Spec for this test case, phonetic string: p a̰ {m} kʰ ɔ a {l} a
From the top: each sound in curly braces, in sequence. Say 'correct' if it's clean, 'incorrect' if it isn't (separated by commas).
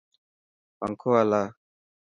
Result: incorrect, correct